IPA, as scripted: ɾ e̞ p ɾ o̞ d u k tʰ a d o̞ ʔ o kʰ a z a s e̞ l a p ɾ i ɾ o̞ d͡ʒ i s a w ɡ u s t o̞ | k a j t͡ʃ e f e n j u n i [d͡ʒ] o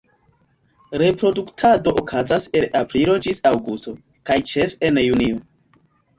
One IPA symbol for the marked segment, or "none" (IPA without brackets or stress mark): none